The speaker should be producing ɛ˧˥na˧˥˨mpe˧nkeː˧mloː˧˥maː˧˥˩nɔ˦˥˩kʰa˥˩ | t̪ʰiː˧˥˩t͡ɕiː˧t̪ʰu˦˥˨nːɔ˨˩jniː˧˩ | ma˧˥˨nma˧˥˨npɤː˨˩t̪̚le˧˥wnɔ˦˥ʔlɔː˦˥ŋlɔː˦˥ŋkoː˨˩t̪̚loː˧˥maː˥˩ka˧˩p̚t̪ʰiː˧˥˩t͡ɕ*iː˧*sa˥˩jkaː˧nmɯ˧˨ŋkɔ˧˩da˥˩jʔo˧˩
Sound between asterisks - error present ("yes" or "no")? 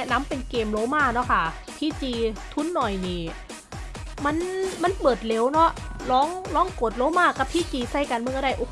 no